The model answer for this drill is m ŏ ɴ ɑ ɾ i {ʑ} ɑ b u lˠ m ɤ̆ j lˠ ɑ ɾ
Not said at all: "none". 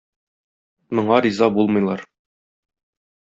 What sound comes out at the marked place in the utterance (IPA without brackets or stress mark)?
z